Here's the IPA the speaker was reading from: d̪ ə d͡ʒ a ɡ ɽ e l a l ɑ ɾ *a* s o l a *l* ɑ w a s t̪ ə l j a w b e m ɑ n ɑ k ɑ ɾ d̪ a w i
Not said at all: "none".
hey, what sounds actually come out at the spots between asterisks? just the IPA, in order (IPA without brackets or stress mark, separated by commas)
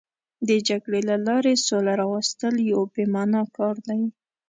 e, ɾ